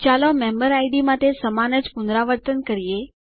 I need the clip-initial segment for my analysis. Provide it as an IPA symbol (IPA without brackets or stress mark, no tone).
t͡ʃ